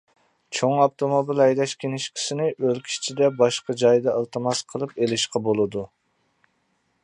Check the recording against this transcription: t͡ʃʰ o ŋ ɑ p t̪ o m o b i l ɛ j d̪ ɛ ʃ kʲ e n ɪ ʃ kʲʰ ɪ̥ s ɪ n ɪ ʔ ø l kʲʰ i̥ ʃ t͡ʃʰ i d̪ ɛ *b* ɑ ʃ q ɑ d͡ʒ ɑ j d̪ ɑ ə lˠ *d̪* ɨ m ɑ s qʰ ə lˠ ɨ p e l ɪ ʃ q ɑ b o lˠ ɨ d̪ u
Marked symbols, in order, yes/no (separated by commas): yes, no